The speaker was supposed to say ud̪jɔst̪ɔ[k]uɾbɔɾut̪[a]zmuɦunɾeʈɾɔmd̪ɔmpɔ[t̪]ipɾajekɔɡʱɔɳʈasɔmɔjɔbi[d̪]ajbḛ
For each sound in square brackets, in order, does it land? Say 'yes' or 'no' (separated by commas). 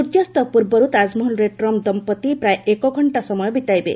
no, yes, yes, no